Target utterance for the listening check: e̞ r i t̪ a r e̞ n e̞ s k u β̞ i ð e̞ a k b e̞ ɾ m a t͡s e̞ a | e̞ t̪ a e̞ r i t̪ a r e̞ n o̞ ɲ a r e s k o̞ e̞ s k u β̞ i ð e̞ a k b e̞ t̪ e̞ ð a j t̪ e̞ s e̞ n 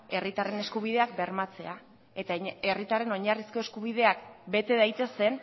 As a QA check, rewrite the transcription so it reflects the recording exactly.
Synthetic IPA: e̞ r i t̪ a r e̞ n e̞ s k u β̞ i ð e̞ a k b e̞ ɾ m a t͡s e̞ a | e̞ t̪ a e̞ r i t̪ a r e̞ n o̞ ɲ a r i s k o̞ e̞ s k u β̞ i ð e̞ a k b e̞ t̪ e̞ ð a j t̪ e̞ s e̞ n